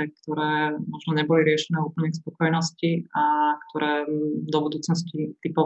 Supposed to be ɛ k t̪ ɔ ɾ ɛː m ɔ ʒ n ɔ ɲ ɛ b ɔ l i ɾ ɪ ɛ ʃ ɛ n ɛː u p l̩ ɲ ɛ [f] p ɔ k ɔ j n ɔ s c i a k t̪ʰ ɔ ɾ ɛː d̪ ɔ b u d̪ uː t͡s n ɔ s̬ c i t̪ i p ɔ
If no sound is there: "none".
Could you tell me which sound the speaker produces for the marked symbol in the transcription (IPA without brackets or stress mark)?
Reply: s